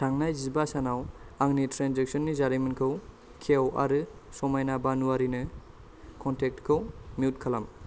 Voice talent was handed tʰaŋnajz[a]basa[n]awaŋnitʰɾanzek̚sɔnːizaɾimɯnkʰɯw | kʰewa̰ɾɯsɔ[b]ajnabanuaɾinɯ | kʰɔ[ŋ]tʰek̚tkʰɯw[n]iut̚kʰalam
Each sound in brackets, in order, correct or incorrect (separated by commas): incorrect, correct, incorrect, incorrect, incorrect